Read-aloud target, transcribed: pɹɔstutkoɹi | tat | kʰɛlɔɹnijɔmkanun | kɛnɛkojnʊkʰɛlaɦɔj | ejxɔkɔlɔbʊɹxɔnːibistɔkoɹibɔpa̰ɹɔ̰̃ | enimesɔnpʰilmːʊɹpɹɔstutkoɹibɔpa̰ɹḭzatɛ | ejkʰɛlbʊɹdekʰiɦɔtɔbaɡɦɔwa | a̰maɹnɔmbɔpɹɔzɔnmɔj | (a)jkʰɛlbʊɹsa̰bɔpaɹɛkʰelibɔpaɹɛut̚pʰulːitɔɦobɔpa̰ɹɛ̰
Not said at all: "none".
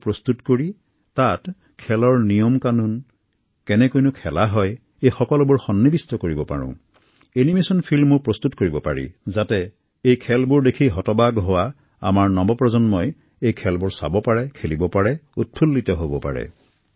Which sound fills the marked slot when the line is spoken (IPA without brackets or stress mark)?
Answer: e